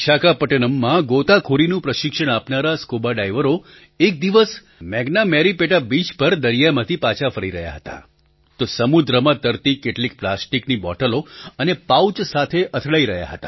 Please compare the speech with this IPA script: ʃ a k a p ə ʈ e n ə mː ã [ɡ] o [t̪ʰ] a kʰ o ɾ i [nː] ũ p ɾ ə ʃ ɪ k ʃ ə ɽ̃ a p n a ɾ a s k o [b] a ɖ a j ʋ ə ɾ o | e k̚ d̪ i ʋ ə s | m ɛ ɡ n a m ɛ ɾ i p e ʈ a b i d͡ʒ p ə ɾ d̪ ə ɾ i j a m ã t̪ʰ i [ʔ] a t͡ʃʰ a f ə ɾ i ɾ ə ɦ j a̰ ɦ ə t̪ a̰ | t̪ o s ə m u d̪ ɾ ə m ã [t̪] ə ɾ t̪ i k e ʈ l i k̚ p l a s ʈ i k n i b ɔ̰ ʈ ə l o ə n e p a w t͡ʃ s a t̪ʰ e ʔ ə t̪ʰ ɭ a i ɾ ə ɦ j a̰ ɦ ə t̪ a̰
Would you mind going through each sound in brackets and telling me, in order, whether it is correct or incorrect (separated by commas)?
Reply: correct, incorrect, incorrect, correct, incorrect, correct